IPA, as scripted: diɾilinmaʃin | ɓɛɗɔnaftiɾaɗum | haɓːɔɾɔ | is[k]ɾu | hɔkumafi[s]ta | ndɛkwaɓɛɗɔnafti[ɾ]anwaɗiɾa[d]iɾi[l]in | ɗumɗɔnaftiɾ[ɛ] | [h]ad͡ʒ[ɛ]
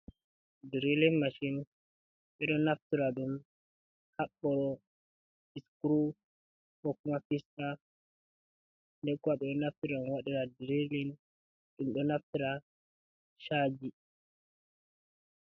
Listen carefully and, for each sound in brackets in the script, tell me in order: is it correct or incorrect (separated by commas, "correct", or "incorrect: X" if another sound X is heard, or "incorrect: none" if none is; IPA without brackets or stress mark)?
correct, correct, correct, correct, correct, incorrect: a, incorrect: ʃ, incorrect: i